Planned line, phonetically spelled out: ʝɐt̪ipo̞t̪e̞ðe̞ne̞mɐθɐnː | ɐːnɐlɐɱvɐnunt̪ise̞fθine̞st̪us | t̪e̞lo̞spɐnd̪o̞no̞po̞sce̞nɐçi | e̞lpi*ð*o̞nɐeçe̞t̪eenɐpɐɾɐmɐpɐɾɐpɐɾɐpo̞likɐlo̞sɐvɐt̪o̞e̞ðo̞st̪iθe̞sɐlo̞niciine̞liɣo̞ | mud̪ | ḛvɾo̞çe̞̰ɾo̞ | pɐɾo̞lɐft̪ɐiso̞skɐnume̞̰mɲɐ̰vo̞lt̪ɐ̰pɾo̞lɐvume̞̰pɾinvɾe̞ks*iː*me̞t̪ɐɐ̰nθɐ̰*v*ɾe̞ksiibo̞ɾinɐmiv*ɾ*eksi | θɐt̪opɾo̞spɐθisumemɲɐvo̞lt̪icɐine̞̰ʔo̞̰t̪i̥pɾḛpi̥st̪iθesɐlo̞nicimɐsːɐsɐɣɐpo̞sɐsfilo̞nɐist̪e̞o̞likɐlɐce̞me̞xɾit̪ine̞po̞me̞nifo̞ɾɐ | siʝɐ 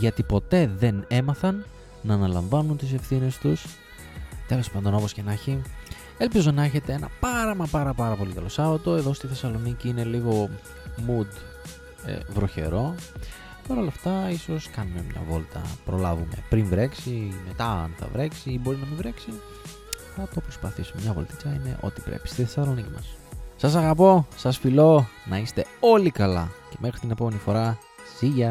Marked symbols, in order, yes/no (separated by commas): no, no, yes, yes